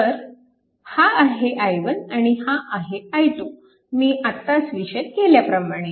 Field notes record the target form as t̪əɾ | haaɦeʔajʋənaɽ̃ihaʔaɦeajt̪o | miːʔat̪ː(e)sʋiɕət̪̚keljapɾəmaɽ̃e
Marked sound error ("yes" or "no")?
yes